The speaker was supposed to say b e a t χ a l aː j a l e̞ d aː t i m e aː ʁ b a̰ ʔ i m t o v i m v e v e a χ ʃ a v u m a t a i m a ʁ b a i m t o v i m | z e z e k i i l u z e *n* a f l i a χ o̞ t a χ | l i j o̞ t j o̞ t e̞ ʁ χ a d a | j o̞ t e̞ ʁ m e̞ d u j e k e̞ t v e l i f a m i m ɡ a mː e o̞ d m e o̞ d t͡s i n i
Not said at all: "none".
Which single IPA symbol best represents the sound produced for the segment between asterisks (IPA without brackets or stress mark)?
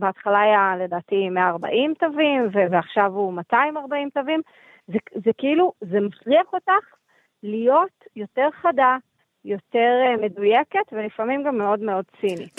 m